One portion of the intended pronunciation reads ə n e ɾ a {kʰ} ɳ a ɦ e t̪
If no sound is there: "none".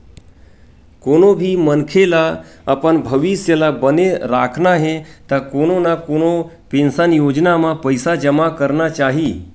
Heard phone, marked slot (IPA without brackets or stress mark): kʰ